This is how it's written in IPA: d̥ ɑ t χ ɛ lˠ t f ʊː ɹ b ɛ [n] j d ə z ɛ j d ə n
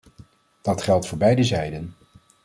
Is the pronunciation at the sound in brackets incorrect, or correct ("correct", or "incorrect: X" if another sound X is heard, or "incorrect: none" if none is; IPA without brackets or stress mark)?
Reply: incorrect: none